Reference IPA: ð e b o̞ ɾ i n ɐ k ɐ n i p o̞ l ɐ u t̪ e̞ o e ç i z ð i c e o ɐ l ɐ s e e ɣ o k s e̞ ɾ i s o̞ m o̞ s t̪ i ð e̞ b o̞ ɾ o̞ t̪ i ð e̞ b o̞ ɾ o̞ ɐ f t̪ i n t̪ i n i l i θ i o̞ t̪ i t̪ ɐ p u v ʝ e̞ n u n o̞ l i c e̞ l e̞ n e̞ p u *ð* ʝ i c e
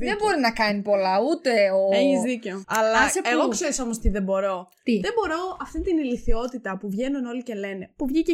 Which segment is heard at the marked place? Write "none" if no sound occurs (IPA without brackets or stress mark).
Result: v